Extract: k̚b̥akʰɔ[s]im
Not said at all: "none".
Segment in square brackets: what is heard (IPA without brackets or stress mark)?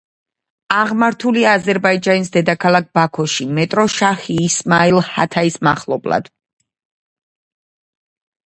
ʃ